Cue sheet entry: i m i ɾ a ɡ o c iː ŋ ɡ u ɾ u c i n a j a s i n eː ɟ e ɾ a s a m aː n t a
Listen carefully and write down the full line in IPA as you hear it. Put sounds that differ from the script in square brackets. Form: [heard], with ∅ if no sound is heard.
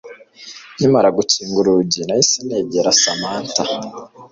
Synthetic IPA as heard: i m [a] ɾ a ɡ [u] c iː ŋ ɡ u ɾ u [ɟ] i n a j [i] s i n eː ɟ e ɾ a s a m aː n t a

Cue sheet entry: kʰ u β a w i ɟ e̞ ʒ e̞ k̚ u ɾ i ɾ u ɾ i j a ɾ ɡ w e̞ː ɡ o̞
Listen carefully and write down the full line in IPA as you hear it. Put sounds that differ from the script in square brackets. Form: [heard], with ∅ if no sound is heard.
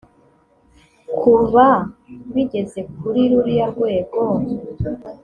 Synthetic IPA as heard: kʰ u β a [β] i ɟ e̞ [z] e̞ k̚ u ɾ i ɾ u ɾ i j a ɾ ɡ w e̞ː ɡ o̞

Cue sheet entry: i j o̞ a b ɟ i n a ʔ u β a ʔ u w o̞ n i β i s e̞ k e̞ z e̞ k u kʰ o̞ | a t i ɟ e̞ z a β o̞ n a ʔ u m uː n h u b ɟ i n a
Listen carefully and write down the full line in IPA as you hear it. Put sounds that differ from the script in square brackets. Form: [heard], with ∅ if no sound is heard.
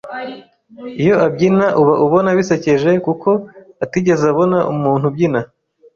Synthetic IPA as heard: i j o̞ a b ɟ i n a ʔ u β a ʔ u [β] o̞ n [a] β i s e̞ [c] e̞ [ʒ] e̞ k u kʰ o̞ | a t i ɟ e̞ z a β o̞ n a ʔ u m uː n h u b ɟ i n a

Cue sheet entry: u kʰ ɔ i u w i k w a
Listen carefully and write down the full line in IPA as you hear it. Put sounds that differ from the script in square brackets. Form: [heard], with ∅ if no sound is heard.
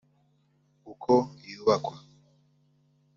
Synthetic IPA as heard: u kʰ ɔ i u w [a] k w a

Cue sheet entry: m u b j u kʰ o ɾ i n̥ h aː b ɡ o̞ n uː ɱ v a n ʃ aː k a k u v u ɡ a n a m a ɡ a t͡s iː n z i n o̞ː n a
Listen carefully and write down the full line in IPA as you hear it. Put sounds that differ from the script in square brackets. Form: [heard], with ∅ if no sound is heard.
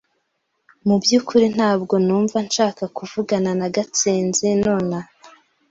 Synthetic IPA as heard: m u b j u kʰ [u] ɾ i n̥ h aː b ɡ o̞ n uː ɱ v a n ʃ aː k a k u v u ɡ a n a [n] a ɡ a t͡s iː n z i n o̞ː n a

